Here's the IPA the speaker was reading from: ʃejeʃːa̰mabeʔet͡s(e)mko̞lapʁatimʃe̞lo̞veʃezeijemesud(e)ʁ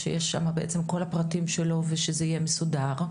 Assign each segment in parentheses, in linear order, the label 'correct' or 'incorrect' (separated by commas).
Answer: correct, incorrect